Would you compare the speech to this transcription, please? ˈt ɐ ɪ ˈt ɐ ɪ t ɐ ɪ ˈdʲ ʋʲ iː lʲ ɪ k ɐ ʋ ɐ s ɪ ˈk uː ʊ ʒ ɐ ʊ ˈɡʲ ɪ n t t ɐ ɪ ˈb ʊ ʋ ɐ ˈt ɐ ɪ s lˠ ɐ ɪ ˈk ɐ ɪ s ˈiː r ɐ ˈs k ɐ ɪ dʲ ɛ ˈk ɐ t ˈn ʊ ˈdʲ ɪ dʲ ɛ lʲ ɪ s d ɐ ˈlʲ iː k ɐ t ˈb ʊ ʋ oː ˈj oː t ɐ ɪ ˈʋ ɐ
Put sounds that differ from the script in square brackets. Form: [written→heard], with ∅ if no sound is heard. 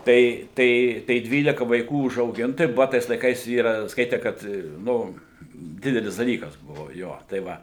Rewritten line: ˈt ɐ ɪ ˈt ɐ ɪ t ɐ ɪ ˈdʲ ʋʲ iː lʲ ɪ k ɐ ʋ ɐ [s→∅] ɪ ˈk uː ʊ ʒ ɐ ʊ ˈɡʲ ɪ n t t ɐ ɪ ˈb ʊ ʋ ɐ ˈt ɐ ɪ s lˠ ɐ ɪ ˈk ɐ ɪ s ˈiː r ɐ ˈs k ɐ ɪ [dʲ→tʲ] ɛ ˈk ɐ t ˈn ʊ ˈdʲ ɪ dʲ ɛ lʲ ɪ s d ɐ ˈlʲ iː k ɐ [t→s] ˈb ʊ ʋ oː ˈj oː t ɐ ɪ ˈʋ ɐ